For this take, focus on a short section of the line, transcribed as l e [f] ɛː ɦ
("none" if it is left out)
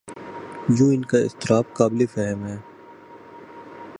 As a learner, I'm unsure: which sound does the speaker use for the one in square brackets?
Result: f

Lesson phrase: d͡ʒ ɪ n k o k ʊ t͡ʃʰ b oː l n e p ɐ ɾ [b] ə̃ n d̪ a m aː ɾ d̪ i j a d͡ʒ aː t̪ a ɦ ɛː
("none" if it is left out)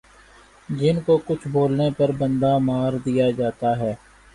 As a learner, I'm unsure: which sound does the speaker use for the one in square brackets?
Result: b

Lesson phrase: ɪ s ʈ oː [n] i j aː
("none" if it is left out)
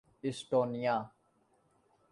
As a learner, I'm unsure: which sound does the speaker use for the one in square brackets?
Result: n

